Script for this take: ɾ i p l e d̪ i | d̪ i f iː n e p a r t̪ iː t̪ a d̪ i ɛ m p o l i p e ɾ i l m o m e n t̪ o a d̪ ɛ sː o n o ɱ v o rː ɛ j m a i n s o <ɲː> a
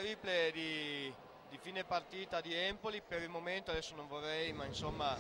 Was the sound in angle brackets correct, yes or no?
no